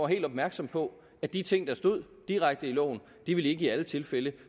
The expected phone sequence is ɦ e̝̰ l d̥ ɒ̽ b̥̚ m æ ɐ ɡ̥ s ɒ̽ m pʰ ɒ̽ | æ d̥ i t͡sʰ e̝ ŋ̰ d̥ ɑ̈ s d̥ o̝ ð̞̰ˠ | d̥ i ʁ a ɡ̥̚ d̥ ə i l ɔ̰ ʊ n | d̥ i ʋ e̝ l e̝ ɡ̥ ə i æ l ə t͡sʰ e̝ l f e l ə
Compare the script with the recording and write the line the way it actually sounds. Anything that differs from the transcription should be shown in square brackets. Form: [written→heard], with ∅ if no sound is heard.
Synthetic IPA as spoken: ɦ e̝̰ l d̥ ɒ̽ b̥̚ m æ ɐ ɡ̥ s ɒ̽ m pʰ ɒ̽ | æ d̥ i t͡sʰ e̝ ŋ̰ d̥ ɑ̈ s d̥ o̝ ð̞̰ˠ | d̥ i ʁ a ɡ̥̚ d̥ ə i l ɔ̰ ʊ n | d̥ i ʋ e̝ l e̝ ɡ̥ ə i æ l ə t͡sʰ e̝ l f e l ə